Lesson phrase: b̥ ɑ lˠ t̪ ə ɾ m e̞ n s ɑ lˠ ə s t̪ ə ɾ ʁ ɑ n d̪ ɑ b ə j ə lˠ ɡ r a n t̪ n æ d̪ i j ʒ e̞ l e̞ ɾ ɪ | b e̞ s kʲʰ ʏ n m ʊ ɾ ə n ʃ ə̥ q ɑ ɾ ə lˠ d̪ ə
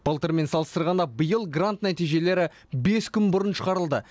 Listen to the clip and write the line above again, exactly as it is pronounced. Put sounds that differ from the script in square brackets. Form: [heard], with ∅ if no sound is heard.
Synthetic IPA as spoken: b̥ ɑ lˠ t̪ ə ɾ m e̞ n s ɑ lˠ ə s t̪ ə ɾ ʁ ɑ n d̪ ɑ b ə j ə lˠ ɡ r a n t̪ n æ [t̪] i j ʒ e̞ l e̞ ɾ ɪ | b e̞ s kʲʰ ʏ n [b] ʊ ɾ ə n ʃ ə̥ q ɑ ɾ ə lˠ d̪ ə